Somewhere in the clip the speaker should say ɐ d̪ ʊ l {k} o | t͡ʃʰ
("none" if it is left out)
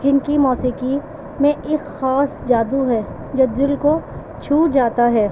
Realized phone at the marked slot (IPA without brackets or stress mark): k